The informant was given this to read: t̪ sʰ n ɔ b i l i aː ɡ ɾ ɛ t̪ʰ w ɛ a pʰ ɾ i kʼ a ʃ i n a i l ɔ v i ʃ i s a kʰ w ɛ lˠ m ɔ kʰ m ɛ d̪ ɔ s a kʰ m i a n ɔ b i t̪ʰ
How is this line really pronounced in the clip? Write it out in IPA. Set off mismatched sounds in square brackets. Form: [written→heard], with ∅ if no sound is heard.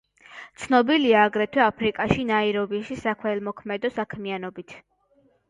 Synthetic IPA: t̪ sʰ n ɔ b i l i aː ɡ ɾ ɛ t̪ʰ w ɛ a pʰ ɾ i kʼ a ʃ i n a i [l→ɾ] ɔ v i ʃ i s a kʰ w ɛ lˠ m ɔ kʰ m ɛ d̪ ɔ s a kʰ m i a n ɔ b i t̪ʰ